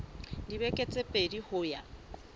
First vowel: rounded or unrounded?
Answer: unrounded